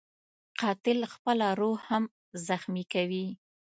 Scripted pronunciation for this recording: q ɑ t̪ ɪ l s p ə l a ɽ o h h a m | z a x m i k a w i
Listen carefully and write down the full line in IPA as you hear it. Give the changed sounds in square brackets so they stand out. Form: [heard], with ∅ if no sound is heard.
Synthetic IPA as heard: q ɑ t̪ ɪ l [x] p ə l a [ɾ] o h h a m | z a x m i k a w i

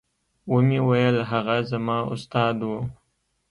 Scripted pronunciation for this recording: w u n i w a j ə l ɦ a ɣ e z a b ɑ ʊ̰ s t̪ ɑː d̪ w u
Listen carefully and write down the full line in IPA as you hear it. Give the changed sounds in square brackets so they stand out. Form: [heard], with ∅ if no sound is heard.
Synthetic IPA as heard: w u [m] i w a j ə l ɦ a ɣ [a] z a [m] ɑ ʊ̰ s t̪ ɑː d̪ w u

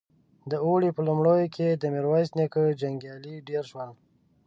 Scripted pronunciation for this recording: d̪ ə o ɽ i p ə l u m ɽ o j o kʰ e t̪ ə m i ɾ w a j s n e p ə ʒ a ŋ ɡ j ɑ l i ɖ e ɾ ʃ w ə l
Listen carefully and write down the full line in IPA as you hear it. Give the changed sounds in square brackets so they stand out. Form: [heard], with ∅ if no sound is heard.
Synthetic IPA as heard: d̪ ə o ɽ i p ə l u m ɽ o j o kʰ e [d̪] ə m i ɾ w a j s n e [k] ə [d͡ʒ] a ŋ ɡ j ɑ l i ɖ e ɾ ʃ w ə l

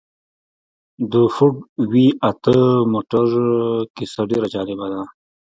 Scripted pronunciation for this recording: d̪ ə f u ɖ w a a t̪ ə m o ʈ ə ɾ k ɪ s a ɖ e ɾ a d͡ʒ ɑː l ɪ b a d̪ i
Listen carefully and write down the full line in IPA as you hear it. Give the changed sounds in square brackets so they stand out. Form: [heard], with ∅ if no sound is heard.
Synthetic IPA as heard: d̪ ə f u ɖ w [i] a t̪ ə m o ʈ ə ɾ k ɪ s a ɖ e ɾ a d͡ʒ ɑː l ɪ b a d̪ [a]

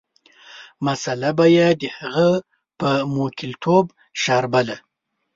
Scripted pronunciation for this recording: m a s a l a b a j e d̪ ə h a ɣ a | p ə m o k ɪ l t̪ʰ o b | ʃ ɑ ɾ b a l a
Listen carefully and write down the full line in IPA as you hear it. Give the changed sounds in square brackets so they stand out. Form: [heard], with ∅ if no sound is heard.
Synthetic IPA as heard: m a s a l a b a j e d̪ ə h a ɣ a | p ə m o k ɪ l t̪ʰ o b | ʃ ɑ ɾ b a l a

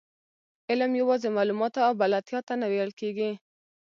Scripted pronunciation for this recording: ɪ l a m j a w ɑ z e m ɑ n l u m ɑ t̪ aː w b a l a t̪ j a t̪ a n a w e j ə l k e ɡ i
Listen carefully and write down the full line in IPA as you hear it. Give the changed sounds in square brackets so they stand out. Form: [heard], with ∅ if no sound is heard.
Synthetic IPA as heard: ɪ l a m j a w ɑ z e m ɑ [∅] l u m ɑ t̪ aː w b a l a t̪ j [ɑ] t̪ a n a w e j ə l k e ɡ i

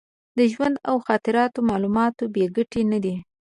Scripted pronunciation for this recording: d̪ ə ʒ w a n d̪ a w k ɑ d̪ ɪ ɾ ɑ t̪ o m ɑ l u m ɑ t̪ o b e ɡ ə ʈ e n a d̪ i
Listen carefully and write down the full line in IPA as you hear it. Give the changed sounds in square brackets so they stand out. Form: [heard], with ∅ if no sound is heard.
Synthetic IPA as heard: d̪ ə ʒ w a n d̪ a w [x] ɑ [t̪] ɪ ɾ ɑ t̪ o m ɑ l u m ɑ t̪ o b e ɡ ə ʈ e n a d̪ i

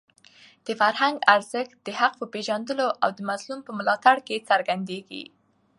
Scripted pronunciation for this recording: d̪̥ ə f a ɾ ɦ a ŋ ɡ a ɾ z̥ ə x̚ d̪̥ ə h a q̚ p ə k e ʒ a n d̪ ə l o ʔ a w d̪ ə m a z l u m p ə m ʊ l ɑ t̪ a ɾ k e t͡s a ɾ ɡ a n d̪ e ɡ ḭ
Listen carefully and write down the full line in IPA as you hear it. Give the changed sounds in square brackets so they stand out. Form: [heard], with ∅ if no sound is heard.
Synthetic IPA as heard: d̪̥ ə f a ɾ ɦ a ŋ ɡ a ɾ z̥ ə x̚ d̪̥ ə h a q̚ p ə [p] e ʒ a n d̪ ə l o ʔ a w d̪ ə m a z l u m p ə m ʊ l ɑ t̪ a [ɽ] k e t͡s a ɾ ɡ a n d̪ e ɡ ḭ

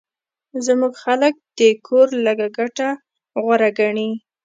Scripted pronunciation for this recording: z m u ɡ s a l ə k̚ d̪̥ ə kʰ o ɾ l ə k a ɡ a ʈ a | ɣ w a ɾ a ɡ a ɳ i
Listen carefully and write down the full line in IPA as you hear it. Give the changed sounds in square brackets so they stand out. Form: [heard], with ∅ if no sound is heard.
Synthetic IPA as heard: z m u ɡ [x] a l ə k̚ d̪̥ ə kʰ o ɾ l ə [ɡ] a ɡ a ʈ a | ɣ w a ɾ a ɡ a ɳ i

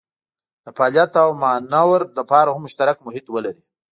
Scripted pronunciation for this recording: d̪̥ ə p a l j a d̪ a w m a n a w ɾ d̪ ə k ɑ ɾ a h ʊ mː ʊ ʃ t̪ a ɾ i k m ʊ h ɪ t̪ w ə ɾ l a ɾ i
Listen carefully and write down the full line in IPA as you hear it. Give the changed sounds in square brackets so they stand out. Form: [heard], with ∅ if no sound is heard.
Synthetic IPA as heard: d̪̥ ə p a l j a [t̪] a w m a n a w ɾ d̪ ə [p] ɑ ɾ a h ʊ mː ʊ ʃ t̪ a ɾ [a] k m ʊ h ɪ t̪ w ə [∅] l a ɾ i

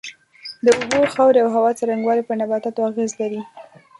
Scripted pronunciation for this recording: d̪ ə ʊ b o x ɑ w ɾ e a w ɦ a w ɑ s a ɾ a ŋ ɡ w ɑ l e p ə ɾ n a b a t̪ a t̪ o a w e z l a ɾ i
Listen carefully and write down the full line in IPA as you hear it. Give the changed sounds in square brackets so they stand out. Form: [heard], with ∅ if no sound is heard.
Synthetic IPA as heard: d̪ ə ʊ b o x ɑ w ɾ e a w ɦ a w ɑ [t͡s] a ɾ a ŋ ɡ w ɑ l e p ə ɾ n a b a t̪ a t̪ o a [ɣ] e z l a ɾ i

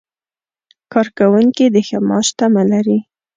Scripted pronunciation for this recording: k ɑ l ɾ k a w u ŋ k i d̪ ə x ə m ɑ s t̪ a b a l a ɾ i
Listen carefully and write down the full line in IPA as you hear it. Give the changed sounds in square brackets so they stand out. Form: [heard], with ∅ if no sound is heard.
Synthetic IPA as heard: k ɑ [∅] ɾ k a w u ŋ k i d̪ ə x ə m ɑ [ʃ] t̪ a [m] a l a ɾ i

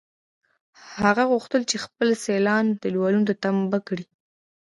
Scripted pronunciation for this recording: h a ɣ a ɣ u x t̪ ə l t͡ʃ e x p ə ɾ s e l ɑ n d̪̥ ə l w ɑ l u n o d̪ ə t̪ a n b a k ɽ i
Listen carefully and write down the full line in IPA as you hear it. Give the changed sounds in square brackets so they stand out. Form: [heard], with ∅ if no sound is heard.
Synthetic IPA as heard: h a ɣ a ɣ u x t̪ ə l t͡ʃ e x p ə [l] s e l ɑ n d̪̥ ə l w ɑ l u n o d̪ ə t̪ a [m] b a k ɽ i

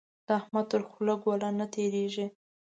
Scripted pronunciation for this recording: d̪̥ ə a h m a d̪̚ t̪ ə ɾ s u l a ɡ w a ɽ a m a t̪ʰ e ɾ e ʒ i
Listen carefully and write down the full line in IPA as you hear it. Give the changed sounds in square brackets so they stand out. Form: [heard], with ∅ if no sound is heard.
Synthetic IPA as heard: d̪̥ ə a h m a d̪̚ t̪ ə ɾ [x] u l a ɡ w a [l] a [n] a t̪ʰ e ɾ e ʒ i

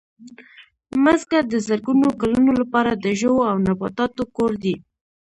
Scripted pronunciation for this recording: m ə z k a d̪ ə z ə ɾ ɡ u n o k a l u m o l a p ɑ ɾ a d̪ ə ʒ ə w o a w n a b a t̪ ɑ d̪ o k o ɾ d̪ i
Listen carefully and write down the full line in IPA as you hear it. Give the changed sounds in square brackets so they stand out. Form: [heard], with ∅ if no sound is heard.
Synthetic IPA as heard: m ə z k a d̪ ə z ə ɾ ɡ u n o k a l u [n] o l a p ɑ ɾ a d̪ ə ʒ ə w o a w n a b [ɑ] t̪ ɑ [t̪] o k o ɾ d̪ i

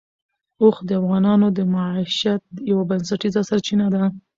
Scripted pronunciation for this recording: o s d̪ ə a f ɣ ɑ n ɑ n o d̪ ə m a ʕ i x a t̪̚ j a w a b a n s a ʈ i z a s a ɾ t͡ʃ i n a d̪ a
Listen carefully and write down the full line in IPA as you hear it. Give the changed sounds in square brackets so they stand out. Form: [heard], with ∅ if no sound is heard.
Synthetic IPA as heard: o [x] d̪ ə a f ɣ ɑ n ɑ n o d̪ ə m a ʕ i [ʃ] a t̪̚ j a w a b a n s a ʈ i z a s a ɾ t͡ʃ i n a d̪ a

